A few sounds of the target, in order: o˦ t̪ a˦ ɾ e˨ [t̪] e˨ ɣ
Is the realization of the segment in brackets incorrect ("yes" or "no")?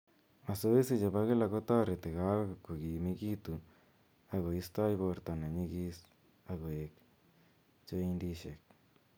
no